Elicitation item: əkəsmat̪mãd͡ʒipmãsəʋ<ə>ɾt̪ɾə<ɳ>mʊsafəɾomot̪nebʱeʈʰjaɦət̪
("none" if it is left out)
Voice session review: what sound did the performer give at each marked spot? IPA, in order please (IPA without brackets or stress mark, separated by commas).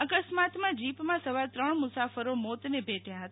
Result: a, ɳ